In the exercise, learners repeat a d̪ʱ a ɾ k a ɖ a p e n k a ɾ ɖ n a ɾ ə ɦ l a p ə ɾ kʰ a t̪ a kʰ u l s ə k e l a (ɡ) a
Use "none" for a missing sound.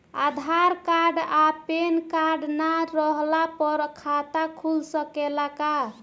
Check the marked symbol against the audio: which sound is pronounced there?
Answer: k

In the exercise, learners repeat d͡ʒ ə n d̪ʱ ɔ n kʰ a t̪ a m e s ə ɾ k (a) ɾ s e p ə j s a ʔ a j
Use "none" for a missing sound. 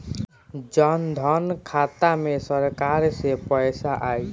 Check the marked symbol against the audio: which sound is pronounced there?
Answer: a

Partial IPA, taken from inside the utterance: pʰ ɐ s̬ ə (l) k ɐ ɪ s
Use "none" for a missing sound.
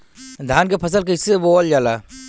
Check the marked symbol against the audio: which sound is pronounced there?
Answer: l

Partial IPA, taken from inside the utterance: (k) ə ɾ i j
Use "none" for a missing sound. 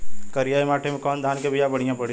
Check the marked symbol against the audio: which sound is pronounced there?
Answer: k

